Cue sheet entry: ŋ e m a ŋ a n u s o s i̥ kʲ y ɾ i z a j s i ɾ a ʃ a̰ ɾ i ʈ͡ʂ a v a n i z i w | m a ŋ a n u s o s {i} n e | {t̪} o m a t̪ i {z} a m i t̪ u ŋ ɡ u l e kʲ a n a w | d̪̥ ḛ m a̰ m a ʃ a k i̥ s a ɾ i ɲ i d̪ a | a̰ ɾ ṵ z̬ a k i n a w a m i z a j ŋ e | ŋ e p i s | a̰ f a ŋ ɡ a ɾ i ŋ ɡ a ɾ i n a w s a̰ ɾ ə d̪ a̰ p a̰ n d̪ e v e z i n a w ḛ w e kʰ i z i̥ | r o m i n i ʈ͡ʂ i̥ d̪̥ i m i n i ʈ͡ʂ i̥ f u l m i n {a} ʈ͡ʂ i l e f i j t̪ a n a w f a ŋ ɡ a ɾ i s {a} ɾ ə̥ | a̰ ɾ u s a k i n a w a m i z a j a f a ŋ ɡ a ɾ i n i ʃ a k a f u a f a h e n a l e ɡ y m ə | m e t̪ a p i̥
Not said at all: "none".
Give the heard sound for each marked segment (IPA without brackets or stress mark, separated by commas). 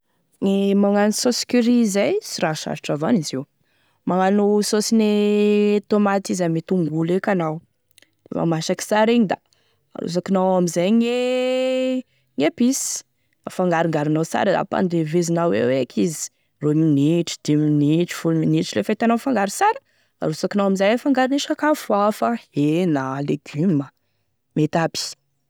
i, t̪, z, i, a